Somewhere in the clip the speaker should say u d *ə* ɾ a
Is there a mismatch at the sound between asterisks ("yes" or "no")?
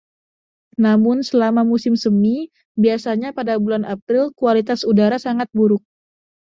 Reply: yes